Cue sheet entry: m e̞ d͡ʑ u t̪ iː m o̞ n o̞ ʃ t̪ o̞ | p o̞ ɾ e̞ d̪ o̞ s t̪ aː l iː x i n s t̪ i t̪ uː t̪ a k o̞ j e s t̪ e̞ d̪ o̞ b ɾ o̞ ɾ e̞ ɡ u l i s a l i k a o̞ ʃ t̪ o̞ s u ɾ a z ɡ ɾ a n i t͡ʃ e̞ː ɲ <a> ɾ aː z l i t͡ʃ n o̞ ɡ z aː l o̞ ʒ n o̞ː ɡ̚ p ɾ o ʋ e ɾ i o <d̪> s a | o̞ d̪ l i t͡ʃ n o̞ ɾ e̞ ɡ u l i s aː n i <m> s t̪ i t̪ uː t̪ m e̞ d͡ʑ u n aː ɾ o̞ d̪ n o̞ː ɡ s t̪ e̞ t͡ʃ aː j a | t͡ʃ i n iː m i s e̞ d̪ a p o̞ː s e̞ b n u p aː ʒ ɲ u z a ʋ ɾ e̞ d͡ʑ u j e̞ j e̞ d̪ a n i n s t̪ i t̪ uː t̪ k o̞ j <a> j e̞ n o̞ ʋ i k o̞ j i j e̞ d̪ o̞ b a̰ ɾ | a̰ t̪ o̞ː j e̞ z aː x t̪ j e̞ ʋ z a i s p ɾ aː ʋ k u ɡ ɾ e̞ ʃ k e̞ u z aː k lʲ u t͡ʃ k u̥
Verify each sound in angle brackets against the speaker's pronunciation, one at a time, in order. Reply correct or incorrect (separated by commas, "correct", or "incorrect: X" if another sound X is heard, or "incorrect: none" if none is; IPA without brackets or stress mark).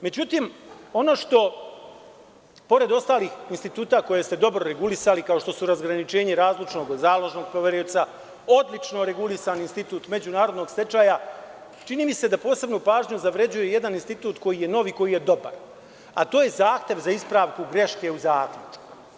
incorrect: e, incorrect: t̪, incorrect: n, incorrect: i